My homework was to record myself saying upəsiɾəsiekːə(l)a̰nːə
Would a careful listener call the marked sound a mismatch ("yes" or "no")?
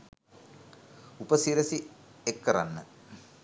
yes